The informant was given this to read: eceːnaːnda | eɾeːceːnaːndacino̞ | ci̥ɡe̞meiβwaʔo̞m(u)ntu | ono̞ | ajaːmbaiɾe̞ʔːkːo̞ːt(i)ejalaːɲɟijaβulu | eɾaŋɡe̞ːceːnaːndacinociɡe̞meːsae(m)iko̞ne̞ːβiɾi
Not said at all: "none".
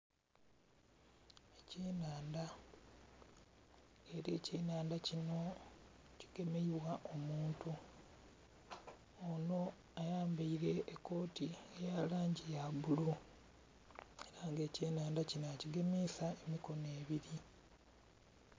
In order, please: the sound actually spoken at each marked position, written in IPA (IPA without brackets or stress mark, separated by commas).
uː, i, m